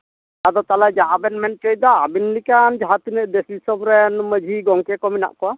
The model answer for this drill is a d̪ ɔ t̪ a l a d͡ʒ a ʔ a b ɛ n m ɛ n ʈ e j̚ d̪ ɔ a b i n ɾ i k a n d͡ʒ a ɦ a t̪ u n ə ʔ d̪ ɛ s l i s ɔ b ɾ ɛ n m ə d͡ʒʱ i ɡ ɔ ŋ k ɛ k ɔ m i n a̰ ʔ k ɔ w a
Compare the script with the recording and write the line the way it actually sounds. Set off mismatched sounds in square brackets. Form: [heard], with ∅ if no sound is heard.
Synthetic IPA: a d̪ ɔ t̪ a l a d͡ʒ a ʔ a b ɛ n m ɛ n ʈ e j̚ d̪ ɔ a b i n [l] i k a n d͡ʒ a ɦ a t̪ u n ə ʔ d̪ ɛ s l i s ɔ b ɾ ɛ n m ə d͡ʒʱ i ɡ ɔ ŋ k ɛ k ɔ m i n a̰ ʔ k ɔ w a

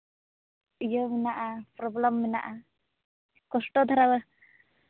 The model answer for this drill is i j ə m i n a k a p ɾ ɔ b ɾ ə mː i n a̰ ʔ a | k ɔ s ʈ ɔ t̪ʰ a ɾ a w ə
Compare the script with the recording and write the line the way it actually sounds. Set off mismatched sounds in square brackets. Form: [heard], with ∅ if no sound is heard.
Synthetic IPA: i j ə m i n a [ʔ] a p ɾ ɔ b [l] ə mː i n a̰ ʔ a | k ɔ s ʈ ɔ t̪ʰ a ɾ a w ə

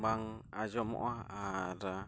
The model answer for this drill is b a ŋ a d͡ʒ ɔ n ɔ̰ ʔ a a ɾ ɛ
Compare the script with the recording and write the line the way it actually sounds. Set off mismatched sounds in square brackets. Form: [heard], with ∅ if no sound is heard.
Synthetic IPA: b a ŋ a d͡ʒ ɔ [m] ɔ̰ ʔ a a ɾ [a]

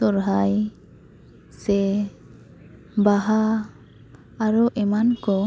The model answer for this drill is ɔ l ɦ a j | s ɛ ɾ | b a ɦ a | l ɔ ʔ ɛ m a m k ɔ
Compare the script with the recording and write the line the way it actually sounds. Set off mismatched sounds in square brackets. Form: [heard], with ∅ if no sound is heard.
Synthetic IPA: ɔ [ɾ] ɦ a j | s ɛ [∅] | b a ɦ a | [ɾ] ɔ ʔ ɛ m a [n] k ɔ

